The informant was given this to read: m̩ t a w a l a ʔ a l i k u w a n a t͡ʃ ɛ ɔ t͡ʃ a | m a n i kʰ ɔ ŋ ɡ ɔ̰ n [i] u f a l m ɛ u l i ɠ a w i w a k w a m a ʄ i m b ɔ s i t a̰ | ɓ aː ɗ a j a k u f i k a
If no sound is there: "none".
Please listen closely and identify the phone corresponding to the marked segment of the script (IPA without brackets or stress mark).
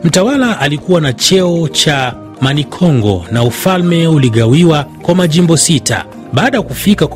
a